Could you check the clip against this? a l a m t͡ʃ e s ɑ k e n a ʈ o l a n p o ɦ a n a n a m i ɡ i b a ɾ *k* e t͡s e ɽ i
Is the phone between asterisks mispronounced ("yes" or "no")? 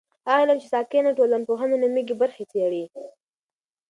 yes